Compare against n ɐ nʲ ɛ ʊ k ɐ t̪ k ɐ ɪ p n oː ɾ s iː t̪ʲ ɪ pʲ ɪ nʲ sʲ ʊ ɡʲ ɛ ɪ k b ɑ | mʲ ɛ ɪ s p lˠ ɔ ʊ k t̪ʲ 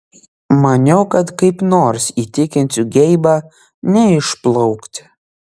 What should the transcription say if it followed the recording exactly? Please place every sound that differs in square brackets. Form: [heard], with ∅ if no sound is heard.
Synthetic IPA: [m] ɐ nʲ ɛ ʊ k ɐ t̪ k ɐ ɪ p n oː ɾ s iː t̪ʲ ɪ [kʲ] ɪ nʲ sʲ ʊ ɡʲ ɛ ɪ [∅] b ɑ | [nʲ] ɛ ɪ [ʃ] p lˠ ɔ ʊ k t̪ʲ